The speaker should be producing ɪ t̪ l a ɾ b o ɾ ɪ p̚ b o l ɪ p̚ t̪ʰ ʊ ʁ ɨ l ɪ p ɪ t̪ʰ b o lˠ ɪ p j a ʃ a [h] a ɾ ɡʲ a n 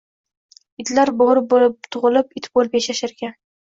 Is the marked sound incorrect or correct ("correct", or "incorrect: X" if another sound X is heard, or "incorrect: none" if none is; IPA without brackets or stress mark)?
incorrect: ʃ